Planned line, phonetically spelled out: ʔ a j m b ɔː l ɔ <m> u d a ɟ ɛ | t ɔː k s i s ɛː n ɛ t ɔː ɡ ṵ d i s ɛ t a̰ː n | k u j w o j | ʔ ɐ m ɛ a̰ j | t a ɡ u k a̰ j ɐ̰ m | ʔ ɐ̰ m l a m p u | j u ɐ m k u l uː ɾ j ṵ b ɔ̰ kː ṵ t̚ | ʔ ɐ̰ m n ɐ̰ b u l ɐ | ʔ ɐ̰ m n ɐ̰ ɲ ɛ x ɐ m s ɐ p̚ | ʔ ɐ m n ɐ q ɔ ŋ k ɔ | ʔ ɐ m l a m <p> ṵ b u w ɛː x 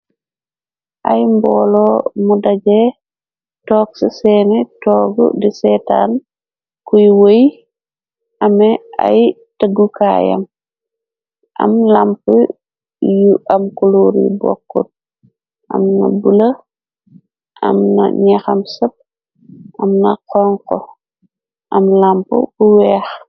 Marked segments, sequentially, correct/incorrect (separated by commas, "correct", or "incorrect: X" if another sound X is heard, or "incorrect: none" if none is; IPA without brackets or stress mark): correct, correct